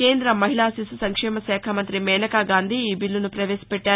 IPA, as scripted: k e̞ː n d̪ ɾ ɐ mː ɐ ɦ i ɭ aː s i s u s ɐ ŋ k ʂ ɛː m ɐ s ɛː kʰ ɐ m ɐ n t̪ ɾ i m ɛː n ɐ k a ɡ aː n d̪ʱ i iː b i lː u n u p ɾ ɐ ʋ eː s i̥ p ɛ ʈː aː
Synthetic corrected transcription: k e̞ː n d̪ ɾ ɐ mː ɐ ɦ i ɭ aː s i s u s ɐ ŋ k ʂ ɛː m ɐ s ɛː kʰ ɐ m ɐ n t̪ ɾ i m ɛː n ɐ k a ɡ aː n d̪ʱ i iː b i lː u n u p ɾ ɐ ʋ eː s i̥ p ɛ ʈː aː